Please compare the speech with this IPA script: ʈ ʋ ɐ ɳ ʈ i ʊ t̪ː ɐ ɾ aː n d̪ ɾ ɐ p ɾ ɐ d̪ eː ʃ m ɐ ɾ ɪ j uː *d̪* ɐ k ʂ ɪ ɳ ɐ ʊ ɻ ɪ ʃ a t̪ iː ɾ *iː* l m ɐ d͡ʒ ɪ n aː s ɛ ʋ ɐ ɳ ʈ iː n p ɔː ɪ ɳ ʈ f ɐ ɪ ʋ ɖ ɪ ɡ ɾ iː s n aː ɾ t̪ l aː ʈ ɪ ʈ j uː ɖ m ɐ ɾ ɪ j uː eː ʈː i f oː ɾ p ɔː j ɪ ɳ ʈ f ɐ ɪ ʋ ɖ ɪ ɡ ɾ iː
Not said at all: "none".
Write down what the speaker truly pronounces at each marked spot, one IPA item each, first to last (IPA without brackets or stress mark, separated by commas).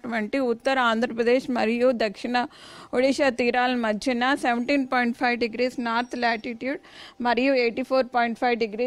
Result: d̪, aː